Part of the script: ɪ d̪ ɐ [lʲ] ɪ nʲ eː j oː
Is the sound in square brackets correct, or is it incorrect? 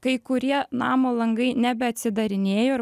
incorrect